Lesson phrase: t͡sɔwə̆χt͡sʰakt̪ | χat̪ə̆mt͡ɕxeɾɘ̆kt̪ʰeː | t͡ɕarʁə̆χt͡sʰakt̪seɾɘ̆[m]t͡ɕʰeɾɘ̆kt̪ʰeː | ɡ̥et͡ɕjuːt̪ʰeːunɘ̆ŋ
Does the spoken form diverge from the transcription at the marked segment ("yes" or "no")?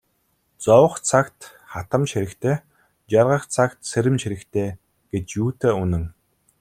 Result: no